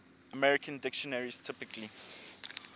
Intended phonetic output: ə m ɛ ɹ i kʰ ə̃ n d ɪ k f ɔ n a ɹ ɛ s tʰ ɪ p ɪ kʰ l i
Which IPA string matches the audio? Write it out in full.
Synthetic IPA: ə m ɛ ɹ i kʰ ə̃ n d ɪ k ʃ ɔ n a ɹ i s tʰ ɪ p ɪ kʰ l i